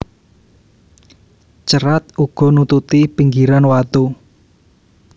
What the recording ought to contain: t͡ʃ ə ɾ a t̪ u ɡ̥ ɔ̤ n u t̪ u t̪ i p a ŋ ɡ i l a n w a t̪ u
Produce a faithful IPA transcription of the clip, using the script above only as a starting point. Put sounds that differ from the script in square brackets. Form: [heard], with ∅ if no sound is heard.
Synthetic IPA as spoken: t͡ʃ ə ɾ a t̪ u ɡ̥ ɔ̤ n u t̪ u t̪ i p [i] ŋ ɡ i [ɾ] a n w a t̪ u